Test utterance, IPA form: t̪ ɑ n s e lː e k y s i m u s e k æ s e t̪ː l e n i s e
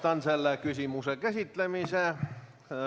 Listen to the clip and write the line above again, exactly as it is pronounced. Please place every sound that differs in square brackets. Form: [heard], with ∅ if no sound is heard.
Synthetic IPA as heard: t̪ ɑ n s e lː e k y s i m u s e k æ s [i] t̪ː l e [m] i s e